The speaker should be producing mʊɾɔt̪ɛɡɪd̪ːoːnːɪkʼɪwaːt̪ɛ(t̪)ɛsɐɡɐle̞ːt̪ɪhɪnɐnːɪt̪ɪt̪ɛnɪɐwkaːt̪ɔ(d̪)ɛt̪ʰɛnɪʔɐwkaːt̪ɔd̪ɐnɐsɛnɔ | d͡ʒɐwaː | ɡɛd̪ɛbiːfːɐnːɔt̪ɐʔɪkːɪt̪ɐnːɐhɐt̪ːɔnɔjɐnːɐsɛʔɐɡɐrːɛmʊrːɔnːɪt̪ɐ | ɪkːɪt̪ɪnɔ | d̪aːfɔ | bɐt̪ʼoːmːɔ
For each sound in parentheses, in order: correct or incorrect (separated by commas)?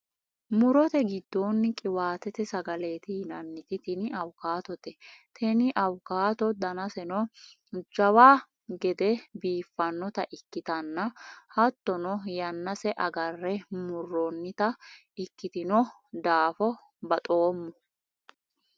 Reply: correct, incorrect